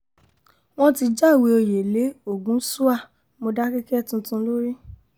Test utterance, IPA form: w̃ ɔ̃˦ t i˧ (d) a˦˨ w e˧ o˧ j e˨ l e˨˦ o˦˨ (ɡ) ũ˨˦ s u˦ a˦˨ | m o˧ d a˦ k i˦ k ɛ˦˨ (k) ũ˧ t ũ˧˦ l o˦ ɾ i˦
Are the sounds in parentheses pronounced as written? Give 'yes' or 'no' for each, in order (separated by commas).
no, yes, no